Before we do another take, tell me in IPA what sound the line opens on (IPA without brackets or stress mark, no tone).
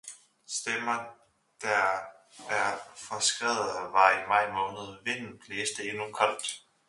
s